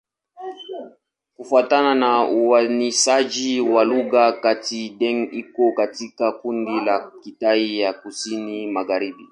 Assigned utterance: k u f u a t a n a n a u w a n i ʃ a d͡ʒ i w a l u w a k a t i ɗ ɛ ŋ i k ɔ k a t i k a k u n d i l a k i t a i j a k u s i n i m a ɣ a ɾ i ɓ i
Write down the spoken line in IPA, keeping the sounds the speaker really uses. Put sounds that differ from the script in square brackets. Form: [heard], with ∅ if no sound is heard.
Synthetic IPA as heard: k u f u a t a n a n a u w a n i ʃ a d͡ʒ i w a l u [ɣ] a k a t i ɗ ɛ ŋ i k ɔ k a t i k a k u n d i l a k i t a i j a k u s i n i m a ɣ a ɾ i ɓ i